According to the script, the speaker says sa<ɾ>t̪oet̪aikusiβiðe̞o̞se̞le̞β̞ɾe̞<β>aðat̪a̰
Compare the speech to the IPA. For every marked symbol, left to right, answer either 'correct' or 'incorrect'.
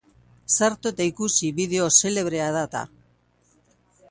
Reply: correct, incorrect: none

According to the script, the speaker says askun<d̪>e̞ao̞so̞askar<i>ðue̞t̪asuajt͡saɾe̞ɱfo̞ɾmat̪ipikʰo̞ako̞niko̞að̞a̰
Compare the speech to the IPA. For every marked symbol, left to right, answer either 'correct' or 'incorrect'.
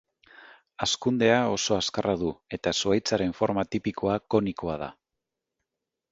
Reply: correct, incorrect: a

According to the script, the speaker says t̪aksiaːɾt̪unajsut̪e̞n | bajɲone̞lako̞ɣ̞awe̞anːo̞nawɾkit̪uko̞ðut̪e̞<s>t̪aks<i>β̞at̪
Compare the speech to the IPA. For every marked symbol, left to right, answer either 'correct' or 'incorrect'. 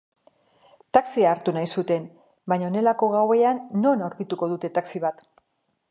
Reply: incorrect: none, correct

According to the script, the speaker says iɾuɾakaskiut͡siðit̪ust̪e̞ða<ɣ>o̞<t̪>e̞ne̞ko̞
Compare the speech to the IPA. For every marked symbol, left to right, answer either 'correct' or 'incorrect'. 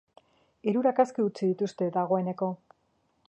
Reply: correct, incorrect: none

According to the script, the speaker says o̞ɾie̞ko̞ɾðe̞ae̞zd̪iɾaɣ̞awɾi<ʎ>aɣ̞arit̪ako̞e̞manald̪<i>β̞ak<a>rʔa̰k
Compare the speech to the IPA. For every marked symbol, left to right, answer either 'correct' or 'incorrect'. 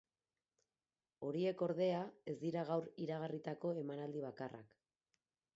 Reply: incorrect: ɾ, correct, correct

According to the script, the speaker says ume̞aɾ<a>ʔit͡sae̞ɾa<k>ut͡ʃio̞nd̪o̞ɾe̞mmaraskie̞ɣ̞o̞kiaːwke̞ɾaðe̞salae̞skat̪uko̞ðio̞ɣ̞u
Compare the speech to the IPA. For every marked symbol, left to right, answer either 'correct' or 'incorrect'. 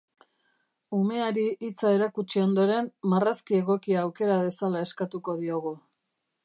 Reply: incorrect: i, correct

